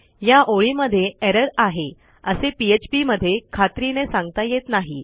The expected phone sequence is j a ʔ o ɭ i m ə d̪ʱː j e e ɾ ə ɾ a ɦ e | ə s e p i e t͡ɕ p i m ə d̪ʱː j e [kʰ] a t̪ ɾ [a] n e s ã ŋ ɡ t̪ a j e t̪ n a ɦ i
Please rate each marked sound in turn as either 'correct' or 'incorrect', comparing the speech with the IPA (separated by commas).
correct, incorrect